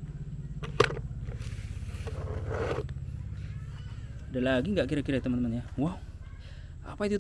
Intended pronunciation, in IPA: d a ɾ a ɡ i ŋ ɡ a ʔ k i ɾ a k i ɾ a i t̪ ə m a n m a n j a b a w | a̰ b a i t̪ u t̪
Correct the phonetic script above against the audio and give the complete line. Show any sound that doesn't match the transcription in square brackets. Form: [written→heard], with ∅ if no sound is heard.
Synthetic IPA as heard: d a [ɾ→l] a ɡ i ŋ ɡ a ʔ k i ɾ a k i ɾ a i t̪ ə m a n m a n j a [b→w] a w | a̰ [b→p] a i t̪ u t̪